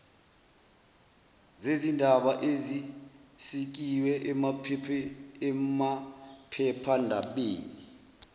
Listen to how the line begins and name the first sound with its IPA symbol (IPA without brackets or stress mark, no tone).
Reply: z